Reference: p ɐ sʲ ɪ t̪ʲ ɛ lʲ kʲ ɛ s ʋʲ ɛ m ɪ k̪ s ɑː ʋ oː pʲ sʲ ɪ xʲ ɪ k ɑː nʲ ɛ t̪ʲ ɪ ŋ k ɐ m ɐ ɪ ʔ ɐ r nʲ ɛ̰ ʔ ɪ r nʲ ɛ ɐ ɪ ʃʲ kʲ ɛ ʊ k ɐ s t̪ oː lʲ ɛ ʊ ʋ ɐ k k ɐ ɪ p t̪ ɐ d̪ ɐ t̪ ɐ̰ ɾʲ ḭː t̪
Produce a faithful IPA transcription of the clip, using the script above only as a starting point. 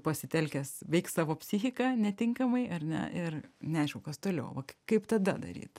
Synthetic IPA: p ɐ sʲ ɪ t̪ʲ ɛ lʲ kʲ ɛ s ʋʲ ɛ ɪ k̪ s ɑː ʋ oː pʲ sʲ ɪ xʲ ɪ k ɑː nʲ ɛ t̪ʲ ɪ ŋ k ɐ m ɐ ɪ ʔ ɐ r nʲ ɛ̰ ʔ ɪ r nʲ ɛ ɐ ɪ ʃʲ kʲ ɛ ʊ k ɐ s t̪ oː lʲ ɛ ʊ ʋ ɐ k k ɐ ɪ p t̪ ɐ d̪ ɐ d̪ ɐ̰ ɾʲ ḭː t̪